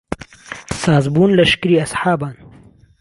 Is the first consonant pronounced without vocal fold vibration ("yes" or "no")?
yes